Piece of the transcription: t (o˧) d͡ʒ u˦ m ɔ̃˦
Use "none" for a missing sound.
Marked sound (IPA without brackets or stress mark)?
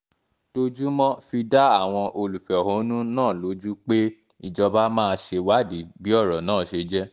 o˧